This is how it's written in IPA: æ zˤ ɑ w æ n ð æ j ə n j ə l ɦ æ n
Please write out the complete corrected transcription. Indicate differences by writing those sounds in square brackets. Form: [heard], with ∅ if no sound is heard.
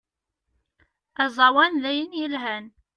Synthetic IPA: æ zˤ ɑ w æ n ð æ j ə n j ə l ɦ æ n